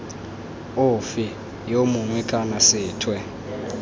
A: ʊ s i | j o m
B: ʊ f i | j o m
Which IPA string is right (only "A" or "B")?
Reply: B